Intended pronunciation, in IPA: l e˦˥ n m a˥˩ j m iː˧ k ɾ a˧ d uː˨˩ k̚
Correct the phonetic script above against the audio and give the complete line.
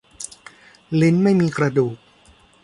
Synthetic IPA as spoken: l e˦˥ n m a˥˩ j m iː˧ k ɾ a˧ d uː˨˩ k̚